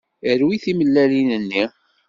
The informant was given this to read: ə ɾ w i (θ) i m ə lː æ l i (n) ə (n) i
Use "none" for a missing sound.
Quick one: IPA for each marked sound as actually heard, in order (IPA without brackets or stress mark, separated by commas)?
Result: θ, n, nː